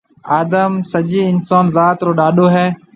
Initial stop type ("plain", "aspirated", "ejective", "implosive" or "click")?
plain